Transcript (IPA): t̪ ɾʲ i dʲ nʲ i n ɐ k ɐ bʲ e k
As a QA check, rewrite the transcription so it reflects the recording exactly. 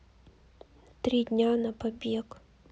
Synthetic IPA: t̪ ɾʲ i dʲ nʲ a n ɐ p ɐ bʲ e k

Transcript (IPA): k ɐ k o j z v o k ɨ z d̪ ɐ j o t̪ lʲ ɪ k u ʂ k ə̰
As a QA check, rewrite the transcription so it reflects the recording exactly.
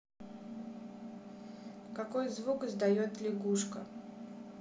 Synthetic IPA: k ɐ k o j z v u k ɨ z d̪ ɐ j o t̪ lʲ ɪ ɡ u ʂ k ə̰

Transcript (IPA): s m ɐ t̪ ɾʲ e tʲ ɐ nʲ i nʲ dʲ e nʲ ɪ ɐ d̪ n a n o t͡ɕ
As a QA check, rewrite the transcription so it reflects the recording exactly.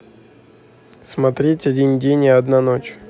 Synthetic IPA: s m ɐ t̪ ɾʲ e tʲ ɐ dʲ i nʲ dʲ e nʲ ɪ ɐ d̪ n a n o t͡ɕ

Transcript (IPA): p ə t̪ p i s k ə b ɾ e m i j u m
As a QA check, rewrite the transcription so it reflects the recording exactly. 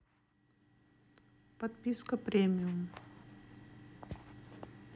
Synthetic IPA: p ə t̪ p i s k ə p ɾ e m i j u m

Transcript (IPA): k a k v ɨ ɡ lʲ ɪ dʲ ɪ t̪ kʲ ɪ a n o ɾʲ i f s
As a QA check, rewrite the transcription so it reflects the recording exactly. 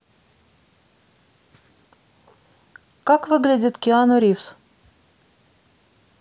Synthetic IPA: k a k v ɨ ɡ lʲ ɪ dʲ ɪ t̪ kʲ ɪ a n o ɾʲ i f s

